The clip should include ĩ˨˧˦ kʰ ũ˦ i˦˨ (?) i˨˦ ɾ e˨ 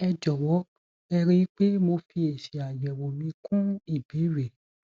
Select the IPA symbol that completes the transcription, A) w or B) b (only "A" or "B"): B